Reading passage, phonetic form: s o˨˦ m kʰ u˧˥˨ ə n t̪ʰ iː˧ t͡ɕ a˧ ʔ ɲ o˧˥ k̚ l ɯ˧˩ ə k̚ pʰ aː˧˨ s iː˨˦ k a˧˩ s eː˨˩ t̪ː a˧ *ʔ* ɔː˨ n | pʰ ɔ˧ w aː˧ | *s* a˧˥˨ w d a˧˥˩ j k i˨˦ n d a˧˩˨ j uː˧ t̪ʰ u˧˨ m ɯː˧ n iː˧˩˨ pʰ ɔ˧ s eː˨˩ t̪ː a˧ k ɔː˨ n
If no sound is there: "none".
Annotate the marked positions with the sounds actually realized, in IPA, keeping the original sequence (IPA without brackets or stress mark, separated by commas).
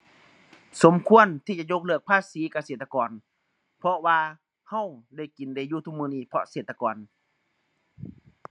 k, h